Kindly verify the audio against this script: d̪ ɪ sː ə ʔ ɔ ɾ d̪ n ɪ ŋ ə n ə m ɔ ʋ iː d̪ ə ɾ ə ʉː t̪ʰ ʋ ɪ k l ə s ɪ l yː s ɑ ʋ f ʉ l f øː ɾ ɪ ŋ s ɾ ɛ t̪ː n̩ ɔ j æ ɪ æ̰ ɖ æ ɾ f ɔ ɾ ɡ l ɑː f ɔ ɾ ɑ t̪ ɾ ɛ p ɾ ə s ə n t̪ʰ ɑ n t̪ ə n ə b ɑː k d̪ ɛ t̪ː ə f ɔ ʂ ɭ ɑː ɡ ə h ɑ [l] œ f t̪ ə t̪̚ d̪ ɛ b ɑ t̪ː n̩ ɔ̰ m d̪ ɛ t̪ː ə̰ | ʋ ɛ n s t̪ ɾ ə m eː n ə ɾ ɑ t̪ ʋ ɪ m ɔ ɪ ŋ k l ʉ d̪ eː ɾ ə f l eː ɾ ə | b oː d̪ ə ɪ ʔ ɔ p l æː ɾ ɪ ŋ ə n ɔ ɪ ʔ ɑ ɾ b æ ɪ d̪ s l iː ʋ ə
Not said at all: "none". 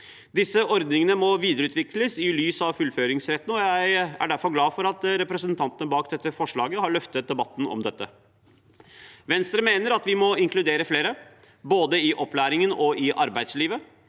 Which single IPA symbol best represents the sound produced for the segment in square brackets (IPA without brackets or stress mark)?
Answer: ɭ